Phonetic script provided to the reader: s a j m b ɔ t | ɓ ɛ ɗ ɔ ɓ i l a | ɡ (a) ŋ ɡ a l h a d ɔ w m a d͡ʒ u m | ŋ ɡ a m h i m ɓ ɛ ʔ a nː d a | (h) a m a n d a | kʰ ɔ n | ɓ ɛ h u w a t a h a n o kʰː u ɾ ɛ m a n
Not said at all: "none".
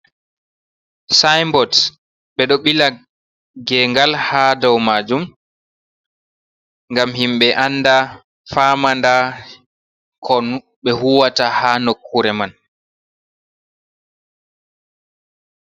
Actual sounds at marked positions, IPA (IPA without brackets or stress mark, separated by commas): ɛ, f